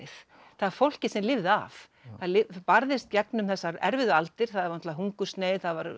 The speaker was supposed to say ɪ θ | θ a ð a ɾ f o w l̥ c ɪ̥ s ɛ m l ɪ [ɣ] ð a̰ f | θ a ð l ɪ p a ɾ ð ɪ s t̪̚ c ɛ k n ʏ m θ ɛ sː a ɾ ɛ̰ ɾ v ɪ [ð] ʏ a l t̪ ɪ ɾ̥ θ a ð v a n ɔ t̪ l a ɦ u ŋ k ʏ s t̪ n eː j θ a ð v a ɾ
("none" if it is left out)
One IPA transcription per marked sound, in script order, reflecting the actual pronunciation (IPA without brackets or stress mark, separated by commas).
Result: v, ð